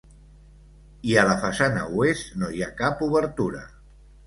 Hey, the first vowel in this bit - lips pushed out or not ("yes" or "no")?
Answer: no